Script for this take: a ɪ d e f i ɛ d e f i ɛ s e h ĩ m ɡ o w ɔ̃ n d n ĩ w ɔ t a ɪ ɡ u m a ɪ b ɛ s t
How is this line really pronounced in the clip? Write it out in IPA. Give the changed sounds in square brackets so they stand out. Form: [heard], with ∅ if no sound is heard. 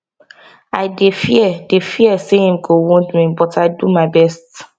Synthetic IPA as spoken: a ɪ d e f i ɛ d e f i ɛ s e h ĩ m ɡ o w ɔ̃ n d [m] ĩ [b] ɔ t a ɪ [d] u m a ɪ b ɛ s t